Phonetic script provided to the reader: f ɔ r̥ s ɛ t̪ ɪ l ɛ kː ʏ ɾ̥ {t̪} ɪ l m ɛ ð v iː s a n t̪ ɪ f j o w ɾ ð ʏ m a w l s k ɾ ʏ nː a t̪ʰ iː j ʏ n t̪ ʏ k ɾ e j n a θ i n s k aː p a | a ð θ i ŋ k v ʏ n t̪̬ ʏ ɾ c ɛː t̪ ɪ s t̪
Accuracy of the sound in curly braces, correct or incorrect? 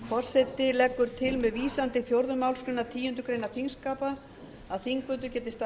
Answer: incorrect: t̪ʰ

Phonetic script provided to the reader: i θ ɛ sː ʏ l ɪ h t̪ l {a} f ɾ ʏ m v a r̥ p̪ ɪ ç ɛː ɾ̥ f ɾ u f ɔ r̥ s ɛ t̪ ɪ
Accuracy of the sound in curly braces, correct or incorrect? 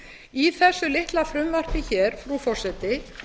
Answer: correct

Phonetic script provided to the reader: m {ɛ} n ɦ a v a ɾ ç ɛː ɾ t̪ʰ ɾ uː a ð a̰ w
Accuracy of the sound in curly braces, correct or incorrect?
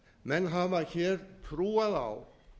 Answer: correct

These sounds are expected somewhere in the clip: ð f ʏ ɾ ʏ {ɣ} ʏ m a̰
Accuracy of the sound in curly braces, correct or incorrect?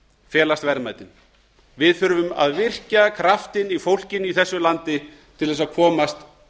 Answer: incorrect: v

